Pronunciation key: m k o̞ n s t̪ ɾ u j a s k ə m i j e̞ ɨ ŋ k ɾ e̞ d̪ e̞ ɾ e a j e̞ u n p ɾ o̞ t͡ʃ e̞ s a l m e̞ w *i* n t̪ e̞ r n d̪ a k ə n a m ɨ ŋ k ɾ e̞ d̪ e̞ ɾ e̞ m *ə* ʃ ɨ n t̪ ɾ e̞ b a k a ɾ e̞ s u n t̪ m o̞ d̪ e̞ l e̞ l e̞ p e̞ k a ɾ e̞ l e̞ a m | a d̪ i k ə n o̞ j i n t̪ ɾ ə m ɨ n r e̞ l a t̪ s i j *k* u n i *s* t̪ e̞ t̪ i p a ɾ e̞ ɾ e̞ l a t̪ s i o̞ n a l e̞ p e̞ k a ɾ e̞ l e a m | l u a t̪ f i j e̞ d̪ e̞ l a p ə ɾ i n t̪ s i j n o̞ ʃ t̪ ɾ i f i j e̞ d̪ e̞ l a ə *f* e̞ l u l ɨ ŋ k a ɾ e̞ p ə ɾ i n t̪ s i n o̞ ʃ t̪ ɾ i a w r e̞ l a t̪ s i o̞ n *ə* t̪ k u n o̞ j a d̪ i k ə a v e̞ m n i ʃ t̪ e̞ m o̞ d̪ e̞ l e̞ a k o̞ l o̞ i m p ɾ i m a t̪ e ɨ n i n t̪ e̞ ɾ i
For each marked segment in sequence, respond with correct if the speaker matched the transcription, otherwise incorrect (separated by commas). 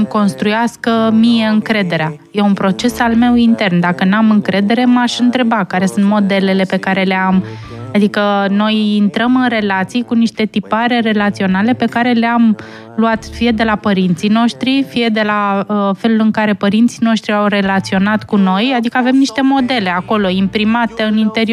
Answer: correct, incorrect, correct, incorrect, correct, incorrect